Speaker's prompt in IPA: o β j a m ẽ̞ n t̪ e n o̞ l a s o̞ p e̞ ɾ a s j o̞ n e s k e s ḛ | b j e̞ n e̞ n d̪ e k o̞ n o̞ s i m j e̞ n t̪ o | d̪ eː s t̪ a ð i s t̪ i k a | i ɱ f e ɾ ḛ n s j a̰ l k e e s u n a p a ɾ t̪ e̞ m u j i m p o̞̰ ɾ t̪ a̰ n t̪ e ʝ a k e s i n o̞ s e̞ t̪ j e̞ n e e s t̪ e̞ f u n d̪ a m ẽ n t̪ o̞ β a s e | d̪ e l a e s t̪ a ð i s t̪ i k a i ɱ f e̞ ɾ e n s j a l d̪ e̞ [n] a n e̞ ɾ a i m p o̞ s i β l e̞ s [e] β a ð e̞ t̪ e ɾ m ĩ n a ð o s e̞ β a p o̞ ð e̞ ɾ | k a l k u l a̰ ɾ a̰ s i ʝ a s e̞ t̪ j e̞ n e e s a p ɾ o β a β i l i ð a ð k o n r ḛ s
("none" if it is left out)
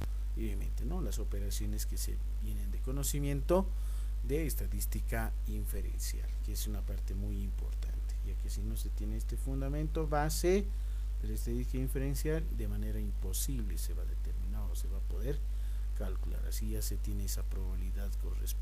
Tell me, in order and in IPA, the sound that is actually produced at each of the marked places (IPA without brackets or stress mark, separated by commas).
m, e